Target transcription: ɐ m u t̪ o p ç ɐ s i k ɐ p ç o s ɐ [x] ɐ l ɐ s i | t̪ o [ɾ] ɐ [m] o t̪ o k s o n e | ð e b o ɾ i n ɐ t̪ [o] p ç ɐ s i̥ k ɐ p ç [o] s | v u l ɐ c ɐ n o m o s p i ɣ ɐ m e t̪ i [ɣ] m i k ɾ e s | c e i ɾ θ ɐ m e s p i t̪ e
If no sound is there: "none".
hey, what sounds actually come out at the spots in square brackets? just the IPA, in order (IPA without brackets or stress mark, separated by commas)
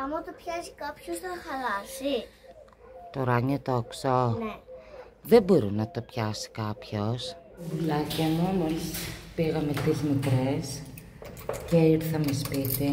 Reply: x, ɾ, ɲ, o, o, z